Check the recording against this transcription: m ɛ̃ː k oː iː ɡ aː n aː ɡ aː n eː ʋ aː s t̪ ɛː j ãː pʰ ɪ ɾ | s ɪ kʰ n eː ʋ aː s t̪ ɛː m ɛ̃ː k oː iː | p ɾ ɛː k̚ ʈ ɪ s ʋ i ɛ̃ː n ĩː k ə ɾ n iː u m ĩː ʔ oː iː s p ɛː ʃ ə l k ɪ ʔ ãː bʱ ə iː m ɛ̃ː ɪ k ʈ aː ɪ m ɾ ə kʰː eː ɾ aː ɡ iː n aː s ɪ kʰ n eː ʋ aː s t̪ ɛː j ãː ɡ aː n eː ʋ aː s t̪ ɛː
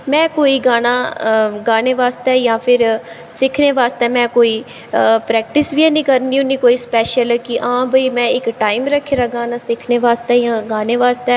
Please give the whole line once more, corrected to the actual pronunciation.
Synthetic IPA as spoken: m ɛ̃ː k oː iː ɡ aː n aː ɡ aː n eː ʋ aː s t̪ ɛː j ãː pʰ ɪ ɾ | s ɪ kʰ n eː ʋ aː s t̪ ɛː m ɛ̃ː k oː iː | p ɾ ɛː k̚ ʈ ɪ s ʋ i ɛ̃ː n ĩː k ə ɾ n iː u n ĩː k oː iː s p ɛː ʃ ə l k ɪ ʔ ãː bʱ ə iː m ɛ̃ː ɪ k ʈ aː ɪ m ɾ ə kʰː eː ɾ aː ɡ aː n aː s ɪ kʰ n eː ʋ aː s t̪ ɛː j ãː ɡ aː n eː ʋ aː s t̪ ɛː

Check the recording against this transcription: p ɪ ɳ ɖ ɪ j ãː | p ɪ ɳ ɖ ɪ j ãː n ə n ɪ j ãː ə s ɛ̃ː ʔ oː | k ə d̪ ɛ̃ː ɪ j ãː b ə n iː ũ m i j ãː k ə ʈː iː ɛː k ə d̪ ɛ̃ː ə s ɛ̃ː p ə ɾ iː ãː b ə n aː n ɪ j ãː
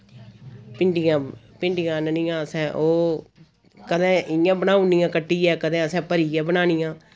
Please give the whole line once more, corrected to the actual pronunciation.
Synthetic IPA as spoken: p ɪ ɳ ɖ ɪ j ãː | p ɪ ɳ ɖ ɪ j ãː n ə n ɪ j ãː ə s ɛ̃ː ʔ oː | k ə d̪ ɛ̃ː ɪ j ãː b ə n aː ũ n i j ãː k ə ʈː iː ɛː k ə d̪ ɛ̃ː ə s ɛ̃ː p ə ɾ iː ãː b ə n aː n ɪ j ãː

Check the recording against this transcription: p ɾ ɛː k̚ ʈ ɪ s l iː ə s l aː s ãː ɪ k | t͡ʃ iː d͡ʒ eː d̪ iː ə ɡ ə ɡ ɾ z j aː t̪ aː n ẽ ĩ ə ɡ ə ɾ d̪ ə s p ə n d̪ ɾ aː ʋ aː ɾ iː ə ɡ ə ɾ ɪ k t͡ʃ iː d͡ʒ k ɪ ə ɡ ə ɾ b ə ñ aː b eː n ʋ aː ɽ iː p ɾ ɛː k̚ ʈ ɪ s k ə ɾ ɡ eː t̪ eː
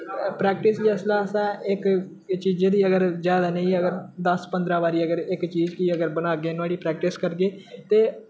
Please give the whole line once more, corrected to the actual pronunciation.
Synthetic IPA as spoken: p ɾ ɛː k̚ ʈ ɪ s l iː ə s l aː s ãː ɪ k | t͡ʃ iː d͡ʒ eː d̪ iː ə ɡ ə ɾ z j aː d̪ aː n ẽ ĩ ə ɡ ə ɾ d̪ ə s p ə n d̪ ɾ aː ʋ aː ɾ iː ə ɡ ə ɾ ɪ k t͡ʃ iː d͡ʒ k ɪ ə ɡ ə ɾ b ə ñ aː ɡ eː n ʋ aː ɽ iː p ɾ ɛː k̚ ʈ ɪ s k ə ɾ ɡ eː t̪ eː

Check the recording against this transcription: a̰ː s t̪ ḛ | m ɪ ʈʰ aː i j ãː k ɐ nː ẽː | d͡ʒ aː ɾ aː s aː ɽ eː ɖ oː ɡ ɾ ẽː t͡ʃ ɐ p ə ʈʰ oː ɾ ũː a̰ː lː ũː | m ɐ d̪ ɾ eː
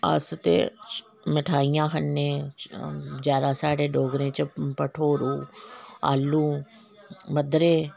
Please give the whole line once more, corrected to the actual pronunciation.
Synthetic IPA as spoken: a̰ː s t̪ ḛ | m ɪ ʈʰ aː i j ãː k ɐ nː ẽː | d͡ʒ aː ɾ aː s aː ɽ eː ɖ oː ɡ ɾ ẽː t͡ʃ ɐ p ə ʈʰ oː ɾ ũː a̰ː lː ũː | m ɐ d̪ ɾ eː

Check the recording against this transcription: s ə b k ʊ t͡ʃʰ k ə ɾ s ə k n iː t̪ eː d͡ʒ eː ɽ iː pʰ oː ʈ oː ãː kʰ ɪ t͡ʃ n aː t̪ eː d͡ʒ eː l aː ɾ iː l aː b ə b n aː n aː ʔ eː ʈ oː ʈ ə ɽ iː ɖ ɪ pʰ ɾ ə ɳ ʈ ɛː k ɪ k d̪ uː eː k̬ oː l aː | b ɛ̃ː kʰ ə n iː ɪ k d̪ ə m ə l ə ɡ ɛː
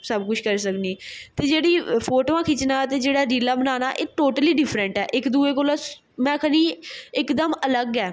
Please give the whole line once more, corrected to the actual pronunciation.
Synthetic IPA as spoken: s ə b k ʊ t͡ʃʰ k ə ɾ s ə k n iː t̪ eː d͡ʒ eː ɽ iː pʰ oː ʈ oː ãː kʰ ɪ t͡ʃ n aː t̪ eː d͡ʒ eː ɽ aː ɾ iː l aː b ə n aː n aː ʔ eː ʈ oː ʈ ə l iː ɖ ɪ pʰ ɾ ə ɳ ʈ ɛː ʔ ɪ k d̪ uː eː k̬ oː l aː | m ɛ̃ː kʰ ə n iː ɪ k d̪ ə m ə l ə ɡ ɛː

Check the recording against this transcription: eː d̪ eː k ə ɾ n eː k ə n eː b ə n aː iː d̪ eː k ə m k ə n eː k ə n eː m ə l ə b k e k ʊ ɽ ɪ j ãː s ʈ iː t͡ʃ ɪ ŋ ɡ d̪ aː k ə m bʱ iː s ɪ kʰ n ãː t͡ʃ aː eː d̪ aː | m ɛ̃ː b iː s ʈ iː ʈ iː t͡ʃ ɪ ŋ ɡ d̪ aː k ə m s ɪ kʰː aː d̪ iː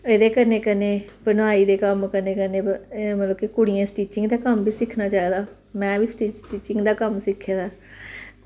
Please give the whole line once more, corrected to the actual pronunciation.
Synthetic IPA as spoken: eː d̪ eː k ə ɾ n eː k ə n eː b ə n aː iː d̪ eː k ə m k ə n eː k ə n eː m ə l ə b k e k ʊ ɽ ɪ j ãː s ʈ iː t͡ʃ ɪ ŋ ɡ d̪ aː k ə m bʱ iː s ɪ kʰ n aː t͡ʃ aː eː d̪ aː | m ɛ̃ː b iː s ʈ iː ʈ iː t͡ʃ ɪ ŋ ɡ d̪ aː k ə m s ɪ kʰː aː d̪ aː

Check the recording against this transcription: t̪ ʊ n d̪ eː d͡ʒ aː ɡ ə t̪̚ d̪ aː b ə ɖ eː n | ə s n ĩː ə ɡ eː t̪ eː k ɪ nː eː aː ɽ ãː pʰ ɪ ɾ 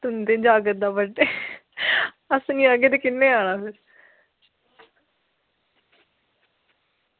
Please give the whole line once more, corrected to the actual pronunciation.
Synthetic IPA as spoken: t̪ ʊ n d̪ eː d͡ʒ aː ɡ ə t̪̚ d̪ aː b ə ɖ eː | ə s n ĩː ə ɡ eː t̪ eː k ɪ nː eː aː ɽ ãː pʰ ɪ ɾ

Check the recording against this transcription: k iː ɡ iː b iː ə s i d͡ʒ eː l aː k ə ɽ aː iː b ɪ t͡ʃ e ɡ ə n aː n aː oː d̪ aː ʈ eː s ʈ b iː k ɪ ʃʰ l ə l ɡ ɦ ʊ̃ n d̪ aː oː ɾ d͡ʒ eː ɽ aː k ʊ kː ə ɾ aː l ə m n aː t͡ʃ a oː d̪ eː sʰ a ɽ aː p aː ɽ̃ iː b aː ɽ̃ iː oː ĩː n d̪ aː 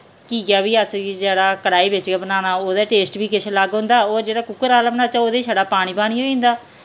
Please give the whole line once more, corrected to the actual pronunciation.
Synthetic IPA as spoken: k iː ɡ aː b iː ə s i d͡ʒ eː ɽ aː k ə ɽ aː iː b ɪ t͡ʃ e b ə n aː n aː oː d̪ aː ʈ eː s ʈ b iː k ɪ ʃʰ l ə ɡ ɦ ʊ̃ n d̪ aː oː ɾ d͡ʒ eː ɽ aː k ʊ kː ə ɾ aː l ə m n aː t͡ʃ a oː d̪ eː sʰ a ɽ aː p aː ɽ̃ iː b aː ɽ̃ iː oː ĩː n d̪ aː

